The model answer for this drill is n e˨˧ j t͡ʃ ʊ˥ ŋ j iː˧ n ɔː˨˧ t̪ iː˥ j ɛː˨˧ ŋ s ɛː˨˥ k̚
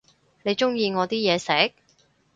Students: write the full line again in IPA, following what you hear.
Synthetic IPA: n e˨˧ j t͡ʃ ʊ˥ ŋ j iː˧ ŋ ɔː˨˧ t̪ iː˥ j ɛː˨˧ s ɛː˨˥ k̚